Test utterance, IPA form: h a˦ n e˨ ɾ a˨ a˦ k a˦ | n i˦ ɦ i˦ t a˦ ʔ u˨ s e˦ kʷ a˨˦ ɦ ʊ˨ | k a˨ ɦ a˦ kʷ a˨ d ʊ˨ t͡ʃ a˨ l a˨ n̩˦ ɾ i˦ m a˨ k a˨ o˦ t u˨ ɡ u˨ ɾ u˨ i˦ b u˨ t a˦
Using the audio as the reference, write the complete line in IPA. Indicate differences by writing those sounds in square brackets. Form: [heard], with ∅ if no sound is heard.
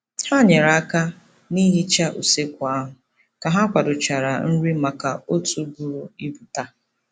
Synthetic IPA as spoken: h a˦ [ɲ] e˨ ɾ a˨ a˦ k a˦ | n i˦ ɦ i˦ [t͡ʃ] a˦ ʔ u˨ s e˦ kʷ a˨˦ ɦ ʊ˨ | k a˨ ɦ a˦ kʷ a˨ d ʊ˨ t͡ʃ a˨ [ɾ] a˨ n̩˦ ɾ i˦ m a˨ k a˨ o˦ t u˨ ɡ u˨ ɾ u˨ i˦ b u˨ t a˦